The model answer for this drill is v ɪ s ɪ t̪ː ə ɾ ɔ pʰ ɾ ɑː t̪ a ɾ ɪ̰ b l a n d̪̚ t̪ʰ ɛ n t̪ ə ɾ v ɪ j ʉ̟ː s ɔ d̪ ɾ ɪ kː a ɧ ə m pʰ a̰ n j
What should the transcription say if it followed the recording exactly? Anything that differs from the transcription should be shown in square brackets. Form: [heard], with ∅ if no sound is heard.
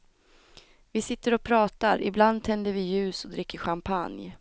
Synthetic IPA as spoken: v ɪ s ɪ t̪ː ə ɾ ɔ pʰ ɾ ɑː t̪ a ɾ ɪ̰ b l a n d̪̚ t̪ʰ ɛ n [d̪] ə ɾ v ɪ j ʉ̟ː s ɔ d̪ ɾ ɪ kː [ə] ɧ [a] m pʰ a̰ n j